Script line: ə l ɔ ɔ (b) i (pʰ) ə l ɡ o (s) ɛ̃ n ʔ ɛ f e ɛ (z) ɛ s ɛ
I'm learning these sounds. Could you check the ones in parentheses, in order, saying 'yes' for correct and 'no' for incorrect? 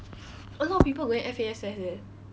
no, no, no, no

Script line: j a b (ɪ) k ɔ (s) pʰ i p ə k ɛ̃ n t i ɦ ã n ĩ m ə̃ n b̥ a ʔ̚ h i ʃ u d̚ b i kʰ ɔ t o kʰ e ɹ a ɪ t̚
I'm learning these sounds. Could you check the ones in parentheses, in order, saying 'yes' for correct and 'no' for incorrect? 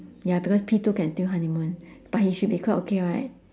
no, yes

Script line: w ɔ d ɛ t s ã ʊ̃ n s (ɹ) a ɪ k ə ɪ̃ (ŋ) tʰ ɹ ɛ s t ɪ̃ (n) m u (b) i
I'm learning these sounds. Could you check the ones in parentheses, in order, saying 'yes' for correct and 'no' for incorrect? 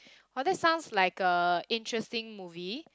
no, no, no, no

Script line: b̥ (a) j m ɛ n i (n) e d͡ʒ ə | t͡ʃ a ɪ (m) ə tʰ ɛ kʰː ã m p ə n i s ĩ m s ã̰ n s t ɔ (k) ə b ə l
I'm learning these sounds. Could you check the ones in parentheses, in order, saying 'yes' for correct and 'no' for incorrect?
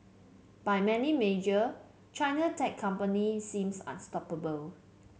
yes, no, no, no

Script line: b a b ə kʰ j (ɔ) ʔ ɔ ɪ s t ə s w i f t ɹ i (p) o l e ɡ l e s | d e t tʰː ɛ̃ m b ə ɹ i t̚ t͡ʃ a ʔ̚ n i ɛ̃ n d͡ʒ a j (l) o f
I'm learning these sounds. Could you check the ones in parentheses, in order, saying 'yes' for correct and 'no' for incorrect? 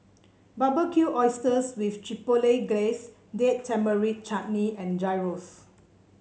no, yes, no

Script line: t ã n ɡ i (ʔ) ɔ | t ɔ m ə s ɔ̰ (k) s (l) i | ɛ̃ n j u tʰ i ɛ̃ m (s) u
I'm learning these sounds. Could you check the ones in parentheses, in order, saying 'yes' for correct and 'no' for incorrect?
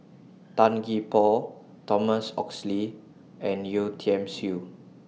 no, yes, yes, yes

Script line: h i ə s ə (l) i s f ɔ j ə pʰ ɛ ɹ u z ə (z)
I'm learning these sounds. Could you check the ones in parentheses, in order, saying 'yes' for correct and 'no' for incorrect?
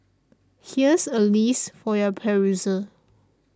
yes, no

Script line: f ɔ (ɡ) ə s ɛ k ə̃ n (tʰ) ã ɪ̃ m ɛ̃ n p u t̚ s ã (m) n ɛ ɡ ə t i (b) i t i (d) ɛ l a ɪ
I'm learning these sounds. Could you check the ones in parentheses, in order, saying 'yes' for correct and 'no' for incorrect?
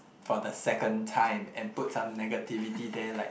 no, yes, yes, no, yes

